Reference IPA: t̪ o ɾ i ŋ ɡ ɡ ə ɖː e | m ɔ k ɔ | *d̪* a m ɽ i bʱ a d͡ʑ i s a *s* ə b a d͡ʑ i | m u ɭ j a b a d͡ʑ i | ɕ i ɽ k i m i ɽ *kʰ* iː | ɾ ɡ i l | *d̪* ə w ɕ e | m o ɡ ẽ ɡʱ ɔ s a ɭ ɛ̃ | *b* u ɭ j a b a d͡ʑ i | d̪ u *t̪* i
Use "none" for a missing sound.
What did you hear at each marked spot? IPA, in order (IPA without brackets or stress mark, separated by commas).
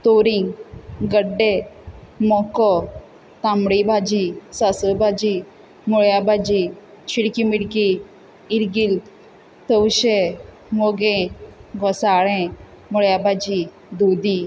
t̪, s, k, t̪, m, d̪